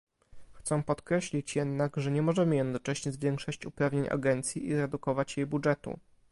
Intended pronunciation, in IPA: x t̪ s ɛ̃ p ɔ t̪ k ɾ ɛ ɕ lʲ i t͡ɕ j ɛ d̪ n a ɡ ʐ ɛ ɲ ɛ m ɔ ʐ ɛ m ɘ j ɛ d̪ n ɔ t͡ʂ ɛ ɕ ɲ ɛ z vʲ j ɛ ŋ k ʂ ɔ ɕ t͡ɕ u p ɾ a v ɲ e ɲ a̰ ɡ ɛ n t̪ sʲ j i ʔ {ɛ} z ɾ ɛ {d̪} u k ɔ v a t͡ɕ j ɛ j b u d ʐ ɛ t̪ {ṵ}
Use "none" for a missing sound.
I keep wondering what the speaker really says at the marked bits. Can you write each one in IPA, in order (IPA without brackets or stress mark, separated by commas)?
i, d̪, ṵ